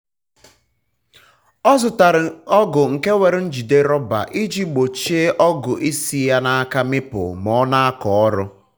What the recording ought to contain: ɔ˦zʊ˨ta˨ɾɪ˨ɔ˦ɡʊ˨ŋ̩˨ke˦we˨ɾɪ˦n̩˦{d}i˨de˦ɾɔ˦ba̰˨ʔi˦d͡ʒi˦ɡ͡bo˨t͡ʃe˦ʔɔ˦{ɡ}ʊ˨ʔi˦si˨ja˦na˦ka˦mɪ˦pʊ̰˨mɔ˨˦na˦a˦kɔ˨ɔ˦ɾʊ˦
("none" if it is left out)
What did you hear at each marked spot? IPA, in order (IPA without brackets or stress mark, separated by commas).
d͡ʒ, ɡ